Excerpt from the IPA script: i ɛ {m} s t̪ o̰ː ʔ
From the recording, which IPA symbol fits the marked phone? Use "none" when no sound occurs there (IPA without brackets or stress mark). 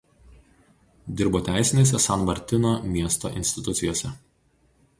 none